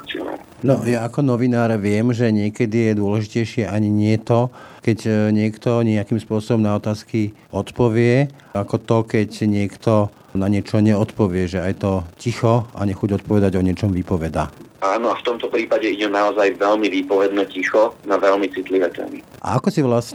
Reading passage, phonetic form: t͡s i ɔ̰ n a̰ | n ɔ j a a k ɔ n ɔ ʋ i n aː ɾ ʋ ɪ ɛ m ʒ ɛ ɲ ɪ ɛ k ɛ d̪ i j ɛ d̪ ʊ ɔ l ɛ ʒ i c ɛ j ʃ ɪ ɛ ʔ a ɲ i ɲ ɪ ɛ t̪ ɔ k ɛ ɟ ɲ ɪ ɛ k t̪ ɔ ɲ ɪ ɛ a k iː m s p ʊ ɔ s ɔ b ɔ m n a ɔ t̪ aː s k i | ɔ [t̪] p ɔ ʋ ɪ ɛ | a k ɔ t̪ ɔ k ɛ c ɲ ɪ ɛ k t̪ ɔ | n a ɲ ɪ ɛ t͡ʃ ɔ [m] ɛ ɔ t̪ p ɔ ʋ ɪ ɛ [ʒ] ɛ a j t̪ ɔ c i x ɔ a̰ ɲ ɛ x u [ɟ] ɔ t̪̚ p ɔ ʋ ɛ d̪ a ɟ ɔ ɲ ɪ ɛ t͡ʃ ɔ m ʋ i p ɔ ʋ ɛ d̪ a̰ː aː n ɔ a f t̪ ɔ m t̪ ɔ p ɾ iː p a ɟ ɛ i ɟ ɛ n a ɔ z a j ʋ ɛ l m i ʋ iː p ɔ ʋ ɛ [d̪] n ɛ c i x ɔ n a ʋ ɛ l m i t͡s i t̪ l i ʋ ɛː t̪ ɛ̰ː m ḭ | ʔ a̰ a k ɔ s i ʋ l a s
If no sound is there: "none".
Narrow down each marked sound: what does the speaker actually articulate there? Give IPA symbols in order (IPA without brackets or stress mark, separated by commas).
t̪, ɲ, ʒ, ɟ, d̪